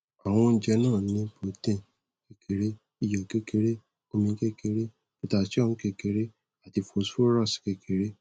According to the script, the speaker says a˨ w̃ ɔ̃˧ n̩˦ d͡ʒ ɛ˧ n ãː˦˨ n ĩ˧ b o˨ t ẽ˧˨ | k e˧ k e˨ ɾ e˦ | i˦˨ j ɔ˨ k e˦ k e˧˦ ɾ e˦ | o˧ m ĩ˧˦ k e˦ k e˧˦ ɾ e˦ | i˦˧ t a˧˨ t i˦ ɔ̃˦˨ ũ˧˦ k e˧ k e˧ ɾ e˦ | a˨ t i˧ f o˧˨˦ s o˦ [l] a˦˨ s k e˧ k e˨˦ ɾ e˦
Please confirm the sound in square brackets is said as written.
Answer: no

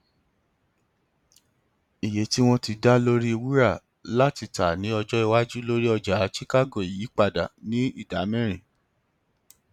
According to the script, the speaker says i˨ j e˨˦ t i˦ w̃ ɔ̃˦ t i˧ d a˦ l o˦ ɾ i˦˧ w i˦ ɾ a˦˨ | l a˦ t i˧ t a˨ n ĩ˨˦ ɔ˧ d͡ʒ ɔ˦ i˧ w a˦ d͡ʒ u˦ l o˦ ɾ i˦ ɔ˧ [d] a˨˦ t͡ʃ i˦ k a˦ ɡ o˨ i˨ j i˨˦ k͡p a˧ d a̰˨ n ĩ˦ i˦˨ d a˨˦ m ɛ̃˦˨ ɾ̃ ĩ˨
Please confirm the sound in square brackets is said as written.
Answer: no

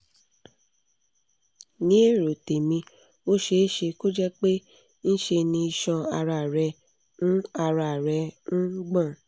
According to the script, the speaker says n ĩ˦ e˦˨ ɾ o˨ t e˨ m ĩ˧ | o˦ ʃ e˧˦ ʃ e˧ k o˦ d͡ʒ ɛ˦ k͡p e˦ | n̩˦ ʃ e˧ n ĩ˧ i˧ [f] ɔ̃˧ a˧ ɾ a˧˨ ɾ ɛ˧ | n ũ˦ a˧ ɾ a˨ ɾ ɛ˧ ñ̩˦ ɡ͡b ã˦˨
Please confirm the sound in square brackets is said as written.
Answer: no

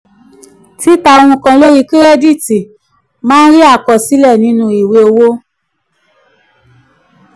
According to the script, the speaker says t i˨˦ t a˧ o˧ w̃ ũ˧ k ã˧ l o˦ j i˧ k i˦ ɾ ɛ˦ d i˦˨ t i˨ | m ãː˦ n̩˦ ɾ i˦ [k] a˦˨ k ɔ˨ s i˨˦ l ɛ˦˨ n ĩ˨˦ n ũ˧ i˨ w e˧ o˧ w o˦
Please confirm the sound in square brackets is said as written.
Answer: no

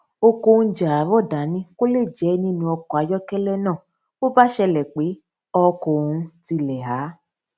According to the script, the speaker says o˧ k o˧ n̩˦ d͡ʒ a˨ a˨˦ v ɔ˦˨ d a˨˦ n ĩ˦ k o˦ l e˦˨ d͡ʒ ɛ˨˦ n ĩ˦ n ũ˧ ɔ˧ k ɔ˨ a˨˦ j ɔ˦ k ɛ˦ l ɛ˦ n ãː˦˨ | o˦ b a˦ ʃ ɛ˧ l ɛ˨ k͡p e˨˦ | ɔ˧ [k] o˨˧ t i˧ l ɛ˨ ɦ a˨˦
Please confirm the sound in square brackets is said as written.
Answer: yes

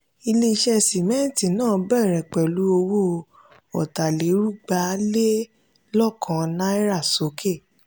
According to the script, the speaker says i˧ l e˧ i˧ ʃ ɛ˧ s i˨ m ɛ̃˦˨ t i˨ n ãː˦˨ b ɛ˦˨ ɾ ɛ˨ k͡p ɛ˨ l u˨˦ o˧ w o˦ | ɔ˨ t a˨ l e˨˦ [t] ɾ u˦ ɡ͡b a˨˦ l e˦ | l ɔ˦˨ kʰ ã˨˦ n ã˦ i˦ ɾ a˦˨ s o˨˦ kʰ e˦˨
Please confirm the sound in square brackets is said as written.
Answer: no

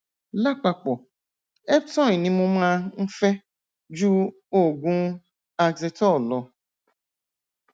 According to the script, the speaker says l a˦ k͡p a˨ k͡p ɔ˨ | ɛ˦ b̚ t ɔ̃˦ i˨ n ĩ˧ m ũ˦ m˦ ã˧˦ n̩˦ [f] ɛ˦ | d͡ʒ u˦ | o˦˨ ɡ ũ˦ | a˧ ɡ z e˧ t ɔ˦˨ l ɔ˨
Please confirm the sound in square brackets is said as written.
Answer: yes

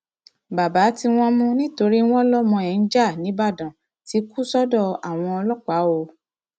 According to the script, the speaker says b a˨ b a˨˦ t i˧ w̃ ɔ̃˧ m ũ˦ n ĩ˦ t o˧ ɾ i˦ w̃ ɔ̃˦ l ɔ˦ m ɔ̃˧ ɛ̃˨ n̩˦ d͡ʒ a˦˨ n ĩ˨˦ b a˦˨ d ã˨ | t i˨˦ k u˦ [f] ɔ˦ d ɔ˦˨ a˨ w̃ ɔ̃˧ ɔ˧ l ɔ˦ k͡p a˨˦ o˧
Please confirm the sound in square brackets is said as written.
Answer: no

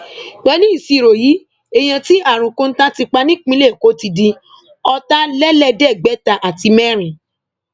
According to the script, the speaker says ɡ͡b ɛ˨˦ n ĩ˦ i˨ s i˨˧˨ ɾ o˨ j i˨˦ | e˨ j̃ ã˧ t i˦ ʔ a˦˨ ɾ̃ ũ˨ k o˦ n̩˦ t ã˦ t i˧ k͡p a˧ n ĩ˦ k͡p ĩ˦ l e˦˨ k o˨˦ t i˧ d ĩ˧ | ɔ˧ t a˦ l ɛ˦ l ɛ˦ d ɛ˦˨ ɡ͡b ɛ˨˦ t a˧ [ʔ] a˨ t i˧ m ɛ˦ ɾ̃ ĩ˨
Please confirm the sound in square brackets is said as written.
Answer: yes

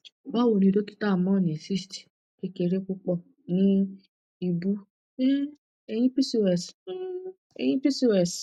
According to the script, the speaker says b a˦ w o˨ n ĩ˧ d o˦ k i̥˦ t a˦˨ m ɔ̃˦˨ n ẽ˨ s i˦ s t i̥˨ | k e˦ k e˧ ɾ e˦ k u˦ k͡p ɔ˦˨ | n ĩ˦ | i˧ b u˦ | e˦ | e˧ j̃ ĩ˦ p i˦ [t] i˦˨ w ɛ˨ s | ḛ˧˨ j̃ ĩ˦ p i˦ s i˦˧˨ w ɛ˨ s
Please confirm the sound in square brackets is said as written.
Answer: no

